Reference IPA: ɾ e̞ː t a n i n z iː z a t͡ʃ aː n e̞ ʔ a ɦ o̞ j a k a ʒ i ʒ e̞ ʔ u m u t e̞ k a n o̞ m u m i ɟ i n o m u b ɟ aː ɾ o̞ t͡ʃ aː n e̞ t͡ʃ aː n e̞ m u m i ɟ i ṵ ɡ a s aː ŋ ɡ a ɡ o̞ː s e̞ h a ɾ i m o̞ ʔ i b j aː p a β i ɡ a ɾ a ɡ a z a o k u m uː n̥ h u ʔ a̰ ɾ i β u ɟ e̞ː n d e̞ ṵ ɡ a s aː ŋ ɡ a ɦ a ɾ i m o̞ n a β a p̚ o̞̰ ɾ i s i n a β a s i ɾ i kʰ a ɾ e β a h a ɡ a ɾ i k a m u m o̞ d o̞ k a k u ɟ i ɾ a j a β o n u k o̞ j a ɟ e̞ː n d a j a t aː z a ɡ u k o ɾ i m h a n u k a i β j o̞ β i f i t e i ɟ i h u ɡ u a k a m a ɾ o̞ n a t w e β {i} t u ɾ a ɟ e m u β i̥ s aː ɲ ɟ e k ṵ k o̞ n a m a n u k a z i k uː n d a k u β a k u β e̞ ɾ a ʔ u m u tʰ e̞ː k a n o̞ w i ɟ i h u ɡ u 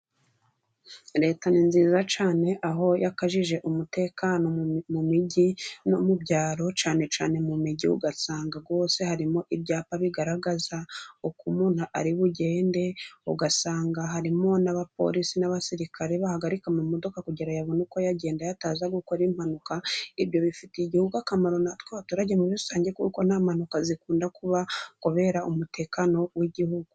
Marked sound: incorrect: a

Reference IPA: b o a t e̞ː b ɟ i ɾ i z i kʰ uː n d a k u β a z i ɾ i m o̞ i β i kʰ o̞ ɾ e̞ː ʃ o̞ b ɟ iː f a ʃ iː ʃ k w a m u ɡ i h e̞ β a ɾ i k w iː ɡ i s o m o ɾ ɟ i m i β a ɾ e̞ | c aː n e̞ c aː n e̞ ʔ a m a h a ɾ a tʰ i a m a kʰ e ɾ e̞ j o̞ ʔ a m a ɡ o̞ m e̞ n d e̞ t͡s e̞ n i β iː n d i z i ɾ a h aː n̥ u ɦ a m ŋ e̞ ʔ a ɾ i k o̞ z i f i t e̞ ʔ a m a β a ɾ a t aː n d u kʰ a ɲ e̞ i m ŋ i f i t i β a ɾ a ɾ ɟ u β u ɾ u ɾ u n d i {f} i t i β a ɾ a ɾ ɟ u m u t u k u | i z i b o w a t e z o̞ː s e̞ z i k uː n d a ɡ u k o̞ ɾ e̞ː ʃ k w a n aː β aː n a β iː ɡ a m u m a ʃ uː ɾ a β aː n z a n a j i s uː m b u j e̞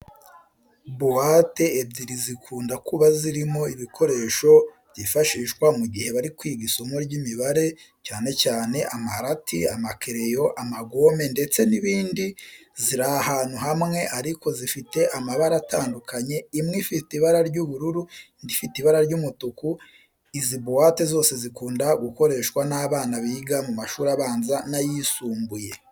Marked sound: correct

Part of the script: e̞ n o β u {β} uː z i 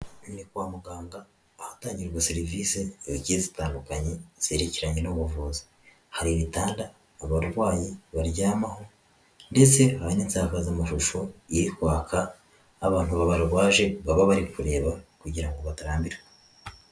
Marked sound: incorrect: v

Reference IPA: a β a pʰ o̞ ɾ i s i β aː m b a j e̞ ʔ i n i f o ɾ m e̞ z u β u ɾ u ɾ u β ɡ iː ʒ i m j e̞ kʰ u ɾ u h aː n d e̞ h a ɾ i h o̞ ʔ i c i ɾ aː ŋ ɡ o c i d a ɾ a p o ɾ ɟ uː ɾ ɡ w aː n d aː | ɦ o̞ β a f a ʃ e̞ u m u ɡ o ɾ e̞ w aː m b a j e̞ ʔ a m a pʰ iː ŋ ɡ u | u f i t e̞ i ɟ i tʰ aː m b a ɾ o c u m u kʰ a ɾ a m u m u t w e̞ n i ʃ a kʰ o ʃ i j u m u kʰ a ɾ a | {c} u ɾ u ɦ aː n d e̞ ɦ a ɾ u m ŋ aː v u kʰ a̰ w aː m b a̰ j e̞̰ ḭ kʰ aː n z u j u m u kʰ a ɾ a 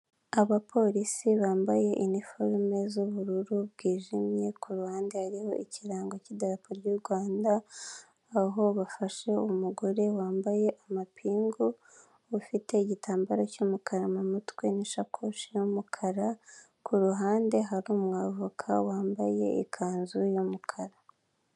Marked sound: incorrect: k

